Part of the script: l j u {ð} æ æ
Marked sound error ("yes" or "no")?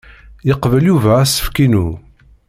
yes